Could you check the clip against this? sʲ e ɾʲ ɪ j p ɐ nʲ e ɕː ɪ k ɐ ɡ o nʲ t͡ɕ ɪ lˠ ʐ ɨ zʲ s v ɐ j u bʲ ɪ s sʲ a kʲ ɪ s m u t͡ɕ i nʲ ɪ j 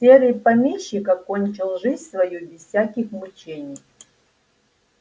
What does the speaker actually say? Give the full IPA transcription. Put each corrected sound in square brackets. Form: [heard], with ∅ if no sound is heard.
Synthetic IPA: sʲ e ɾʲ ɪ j p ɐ [mʲ] e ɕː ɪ k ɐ [k] o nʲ t͡ɕ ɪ lˠ ʐ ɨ zʲ s v ɐ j u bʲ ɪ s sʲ a kʲ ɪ [x] m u t͡ɕ [e] nʲ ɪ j